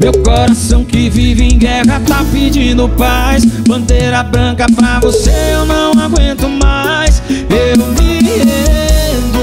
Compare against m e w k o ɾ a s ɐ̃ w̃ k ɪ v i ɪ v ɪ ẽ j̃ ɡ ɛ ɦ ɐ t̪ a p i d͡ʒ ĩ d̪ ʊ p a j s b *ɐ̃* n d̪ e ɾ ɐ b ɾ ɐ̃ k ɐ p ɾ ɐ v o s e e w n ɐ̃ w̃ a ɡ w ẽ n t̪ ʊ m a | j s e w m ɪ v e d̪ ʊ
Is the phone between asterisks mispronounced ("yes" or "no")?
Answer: no